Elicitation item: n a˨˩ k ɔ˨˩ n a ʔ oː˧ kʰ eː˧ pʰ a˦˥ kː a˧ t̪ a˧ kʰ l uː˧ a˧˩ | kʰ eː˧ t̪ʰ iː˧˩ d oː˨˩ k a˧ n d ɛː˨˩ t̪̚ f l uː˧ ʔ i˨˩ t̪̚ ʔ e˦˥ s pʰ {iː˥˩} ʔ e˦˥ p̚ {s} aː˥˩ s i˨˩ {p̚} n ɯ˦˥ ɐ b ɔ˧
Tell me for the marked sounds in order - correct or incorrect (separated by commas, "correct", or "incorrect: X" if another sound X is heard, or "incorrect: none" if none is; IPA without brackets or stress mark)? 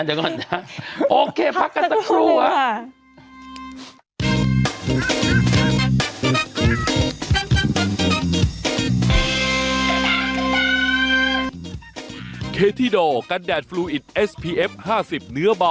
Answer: incorrect: iː˧, incorrect: h, correct